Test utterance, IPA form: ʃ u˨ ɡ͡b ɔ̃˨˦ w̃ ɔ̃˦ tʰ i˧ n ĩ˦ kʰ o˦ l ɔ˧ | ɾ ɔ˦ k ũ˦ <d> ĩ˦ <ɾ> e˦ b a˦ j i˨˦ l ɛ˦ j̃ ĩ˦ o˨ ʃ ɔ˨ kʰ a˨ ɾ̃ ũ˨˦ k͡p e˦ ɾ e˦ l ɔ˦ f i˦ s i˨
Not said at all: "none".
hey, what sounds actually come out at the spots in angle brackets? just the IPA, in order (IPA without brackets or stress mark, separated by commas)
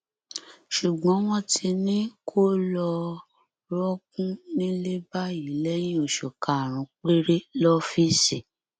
n, l